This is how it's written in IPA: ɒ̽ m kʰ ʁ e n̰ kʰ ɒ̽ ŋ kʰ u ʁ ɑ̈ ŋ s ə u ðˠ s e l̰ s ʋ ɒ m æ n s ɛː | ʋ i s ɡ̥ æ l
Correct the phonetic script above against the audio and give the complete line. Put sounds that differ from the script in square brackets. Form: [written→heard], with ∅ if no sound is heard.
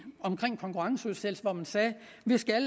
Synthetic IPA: ɒ̽ m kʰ ʁ e [n̰→ŋ̰] kʰ ɒ̽ ŋ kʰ u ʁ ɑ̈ ŋ s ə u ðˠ s e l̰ s ʋ ɒ m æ n s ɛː | ʋ i s ɡ̥ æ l